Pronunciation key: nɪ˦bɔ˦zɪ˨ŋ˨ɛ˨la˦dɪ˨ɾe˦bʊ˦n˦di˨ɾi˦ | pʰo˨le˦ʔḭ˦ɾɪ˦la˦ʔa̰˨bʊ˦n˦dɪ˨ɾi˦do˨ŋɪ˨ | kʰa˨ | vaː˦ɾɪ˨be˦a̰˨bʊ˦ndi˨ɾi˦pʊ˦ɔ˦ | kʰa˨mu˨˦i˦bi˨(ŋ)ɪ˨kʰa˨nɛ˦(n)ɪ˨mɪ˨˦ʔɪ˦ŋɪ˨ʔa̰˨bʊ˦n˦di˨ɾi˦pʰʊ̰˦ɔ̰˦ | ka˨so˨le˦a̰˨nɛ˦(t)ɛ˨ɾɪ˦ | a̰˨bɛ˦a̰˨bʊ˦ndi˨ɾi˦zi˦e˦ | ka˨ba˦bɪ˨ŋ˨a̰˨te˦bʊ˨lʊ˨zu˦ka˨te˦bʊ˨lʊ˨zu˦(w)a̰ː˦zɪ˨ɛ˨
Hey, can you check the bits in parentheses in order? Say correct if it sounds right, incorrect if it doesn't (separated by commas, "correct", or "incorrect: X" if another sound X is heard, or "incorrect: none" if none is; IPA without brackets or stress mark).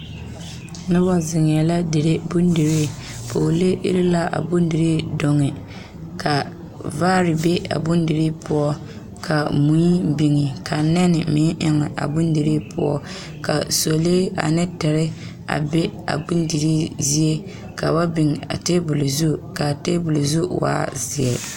correct, correct, correct, correct